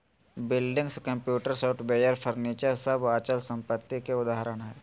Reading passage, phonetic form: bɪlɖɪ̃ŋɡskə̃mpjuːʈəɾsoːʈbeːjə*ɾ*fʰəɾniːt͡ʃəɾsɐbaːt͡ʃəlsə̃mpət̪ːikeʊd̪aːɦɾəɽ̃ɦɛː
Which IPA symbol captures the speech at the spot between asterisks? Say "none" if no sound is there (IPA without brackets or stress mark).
ɾ